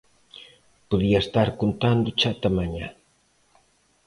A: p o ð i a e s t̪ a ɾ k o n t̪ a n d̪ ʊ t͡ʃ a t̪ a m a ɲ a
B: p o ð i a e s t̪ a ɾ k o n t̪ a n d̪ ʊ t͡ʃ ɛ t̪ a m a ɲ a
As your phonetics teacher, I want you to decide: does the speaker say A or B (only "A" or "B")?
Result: A